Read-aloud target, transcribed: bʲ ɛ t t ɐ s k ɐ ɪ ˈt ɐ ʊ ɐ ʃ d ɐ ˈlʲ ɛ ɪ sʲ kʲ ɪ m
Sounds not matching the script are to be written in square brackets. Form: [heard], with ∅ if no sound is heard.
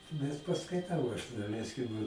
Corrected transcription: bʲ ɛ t [p] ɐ s k ɐ ɪ ˈt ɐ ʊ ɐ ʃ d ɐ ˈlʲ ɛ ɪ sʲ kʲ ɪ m